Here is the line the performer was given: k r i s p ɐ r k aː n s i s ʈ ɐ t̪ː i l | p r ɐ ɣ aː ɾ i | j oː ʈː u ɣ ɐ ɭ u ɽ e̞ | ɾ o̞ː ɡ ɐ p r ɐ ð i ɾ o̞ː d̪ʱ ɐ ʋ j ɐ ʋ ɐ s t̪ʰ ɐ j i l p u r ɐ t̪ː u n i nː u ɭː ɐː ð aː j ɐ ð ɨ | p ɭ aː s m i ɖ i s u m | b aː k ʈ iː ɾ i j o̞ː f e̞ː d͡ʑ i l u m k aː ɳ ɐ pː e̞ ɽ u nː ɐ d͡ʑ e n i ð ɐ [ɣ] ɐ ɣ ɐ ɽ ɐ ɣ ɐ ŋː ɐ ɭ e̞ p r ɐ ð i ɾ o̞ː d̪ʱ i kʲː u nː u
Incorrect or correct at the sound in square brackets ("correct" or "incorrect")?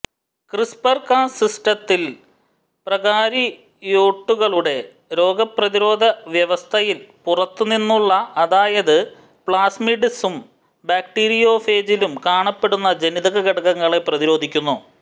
correct